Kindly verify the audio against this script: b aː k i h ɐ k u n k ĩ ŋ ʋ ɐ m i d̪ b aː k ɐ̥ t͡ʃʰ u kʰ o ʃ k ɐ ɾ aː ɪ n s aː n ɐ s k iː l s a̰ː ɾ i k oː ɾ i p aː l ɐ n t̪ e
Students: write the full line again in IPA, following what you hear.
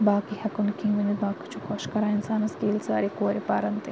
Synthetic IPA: b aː k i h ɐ k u n k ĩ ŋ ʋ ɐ n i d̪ b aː k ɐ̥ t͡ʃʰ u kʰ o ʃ k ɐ ɾ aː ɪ n s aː n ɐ s k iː l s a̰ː ɾ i k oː ɾ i p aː ɾ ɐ n t̪ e